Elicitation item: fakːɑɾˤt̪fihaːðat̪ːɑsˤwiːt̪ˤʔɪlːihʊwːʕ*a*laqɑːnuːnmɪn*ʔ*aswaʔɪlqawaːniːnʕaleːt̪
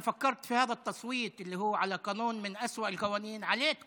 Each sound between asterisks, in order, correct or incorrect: correct, correct

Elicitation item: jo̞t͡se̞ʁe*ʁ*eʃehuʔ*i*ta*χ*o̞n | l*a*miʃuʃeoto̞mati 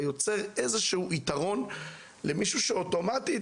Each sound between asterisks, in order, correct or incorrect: incorrect: z, correct, incorrect: ʁ, incorrect: e

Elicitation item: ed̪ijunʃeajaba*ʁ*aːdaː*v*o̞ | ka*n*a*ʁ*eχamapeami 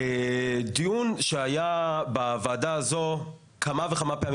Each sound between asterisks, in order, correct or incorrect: incorrect: v, incorrect: z, incorrect: m, incorrect: v

